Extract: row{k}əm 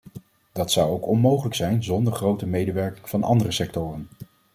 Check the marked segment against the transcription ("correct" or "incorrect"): incorrect